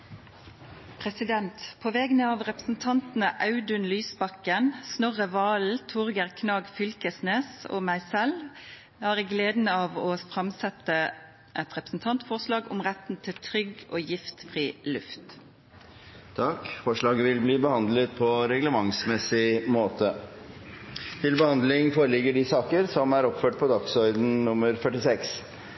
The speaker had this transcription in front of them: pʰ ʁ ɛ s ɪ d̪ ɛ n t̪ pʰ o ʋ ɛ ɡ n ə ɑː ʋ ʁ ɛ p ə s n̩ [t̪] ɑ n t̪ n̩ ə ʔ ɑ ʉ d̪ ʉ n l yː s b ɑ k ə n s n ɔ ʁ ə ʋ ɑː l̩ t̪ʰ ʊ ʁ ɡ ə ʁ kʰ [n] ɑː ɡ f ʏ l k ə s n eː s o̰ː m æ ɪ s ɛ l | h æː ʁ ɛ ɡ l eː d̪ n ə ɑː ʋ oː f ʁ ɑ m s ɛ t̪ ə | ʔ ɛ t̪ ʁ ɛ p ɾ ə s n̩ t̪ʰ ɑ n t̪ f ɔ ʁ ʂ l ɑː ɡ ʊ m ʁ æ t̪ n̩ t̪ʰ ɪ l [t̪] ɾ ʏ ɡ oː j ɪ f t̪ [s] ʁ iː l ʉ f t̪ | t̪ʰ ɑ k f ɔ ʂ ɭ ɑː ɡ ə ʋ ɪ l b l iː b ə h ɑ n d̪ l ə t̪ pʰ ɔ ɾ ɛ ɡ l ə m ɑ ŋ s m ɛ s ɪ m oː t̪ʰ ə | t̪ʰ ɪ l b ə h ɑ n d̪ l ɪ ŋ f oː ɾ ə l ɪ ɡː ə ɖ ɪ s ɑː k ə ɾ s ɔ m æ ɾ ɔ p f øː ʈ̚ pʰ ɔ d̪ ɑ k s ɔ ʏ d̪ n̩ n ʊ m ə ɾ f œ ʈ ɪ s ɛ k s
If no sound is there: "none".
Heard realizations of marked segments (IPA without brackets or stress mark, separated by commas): t̪ʰ, n, t̪ʰ, f